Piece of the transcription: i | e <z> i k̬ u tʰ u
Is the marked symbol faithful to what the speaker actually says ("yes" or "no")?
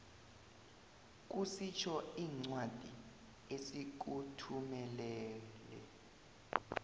no